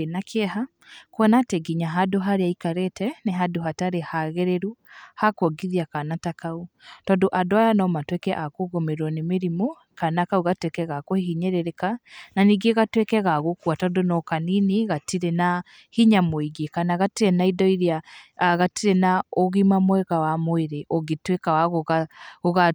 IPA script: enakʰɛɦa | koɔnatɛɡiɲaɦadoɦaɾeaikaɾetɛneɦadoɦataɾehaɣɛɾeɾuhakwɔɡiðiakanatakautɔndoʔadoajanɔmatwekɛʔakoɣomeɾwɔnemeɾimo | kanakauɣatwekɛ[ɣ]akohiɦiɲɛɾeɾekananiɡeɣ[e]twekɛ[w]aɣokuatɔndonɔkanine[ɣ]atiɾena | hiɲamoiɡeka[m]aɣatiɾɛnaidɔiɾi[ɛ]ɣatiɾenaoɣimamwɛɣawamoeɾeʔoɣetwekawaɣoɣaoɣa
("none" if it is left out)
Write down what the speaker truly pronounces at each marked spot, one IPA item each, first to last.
ɣ, a, ɣ, ɣ, n, a

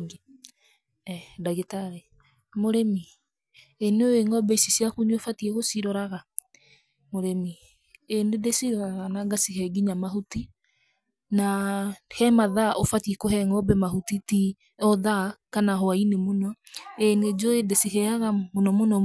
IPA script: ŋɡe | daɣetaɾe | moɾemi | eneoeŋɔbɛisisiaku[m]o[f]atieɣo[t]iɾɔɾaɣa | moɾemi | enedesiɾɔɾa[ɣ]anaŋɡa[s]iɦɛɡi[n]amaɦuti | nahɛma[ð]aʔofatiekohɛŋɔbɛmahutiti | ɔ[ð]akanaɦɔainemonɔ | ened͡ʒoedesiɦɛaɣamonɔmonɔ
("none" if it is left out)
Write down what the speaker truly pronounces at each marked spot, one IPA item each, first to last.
ɲ, f, s, ɣ, s, ɲ, ð, ð

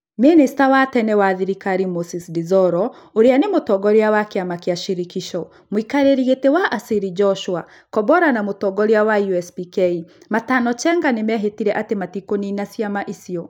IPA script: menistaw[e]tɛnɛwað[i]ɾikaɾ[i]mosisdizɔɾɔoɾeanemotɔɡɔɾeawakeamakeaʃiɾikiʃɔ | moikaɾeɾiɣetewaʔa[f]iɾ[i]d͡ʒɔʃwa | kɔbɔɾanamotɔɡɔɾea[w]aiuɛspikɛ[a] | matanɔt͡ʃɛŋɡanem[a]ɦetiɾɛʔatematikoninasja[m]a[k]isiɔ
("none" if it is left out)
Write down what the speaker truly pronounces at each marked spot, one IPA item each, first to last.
a, i, i, s, i, w, i, ɛ, m, ʔ

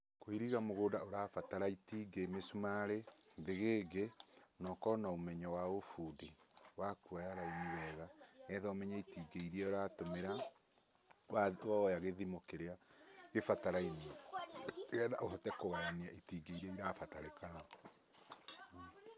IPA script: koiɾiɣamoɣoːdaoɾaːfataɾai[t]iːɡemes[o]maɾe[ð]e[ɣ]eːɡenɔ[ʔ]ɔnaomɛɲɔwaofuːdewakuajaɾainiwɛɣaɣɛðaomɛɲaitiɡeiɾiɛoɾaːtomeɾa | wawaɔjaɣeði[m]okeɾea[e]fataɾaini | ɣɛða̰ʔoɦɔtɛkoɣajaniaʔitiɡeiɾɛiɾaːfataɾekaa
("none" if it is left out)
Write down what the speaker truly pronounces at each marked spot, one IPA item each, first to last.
t, u, ð, ɣ, k, m, e

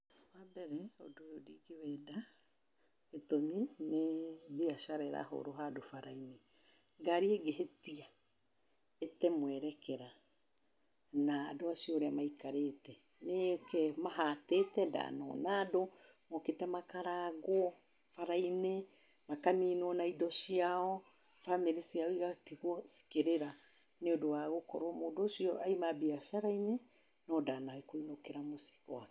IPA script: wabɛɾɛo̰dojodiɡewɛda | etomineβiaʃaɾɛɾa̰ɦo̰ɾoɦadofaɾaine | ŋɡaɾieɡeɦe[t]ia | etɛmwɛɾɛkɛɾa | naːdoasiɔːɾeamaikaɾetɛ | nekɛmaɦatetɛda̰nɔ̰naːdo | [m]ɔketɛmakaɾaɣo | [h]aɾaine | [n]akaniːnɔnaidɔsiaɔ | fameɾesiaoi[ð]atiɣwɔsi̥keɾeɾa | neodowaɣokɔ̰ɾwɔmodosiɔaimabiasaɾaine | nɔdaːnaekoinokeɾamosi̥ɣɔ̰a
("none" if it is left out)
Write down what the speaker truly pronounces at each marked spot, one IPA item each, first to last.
t, m, f, m, ɣ

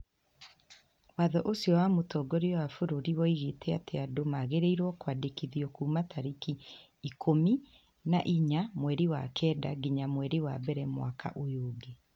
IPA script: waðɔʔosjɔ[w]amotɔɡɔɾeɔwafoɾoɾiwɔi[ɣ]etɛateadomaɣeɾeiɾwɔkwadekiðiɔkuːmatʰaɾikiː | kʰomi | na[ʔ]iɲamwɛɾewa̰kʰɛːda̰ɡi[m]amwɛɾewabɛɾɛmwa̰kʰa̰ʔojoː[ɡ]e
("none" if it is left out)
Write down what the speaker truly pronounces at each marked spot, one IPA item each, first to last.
w, ɣ, ʔ, ɲ, ɡ

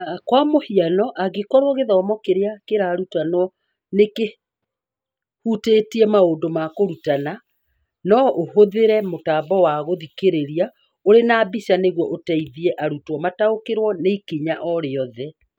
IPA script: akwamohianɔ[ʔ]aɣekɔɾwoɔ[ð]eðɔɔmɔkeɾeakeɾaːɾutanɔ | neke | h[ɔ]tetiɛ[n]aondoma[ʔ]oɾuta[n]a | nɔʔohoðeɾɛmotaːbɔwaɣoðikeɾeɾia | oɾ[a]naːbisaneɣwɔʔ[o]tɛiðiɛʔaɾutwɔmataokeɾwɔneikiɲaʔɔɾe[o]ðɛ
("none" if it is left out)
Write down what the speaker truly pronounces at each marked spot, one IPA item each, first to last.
ʔ, ɣ, u, m, k, n, e, o, ɔ

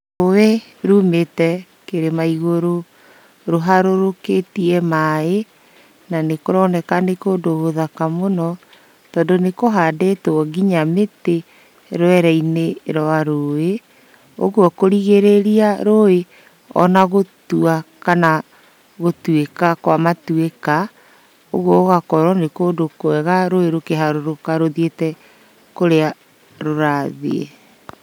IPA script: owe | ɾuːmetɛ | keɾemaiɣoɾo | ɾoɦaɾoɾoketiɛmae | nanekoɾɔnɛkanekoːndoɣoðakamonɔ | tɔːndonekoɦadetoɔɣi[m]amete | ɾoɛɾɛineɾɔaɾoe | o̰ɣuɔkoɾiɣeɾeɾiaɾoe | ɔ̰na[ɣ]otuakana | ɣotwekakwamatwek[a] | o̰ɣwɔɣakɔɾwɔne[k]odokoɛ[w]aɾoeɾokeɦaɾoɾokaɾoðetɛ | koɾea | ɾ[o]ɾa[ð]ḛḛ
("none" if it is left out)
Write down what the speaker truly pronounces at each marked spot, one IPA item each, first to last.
ɲ, ɣ, a, k, ɣ, o, ð

